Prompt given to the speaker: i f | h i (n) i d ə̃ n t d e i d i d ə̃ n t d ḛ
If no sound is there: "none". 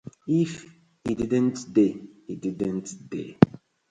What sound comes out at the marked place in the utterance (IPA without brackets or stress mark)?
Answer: d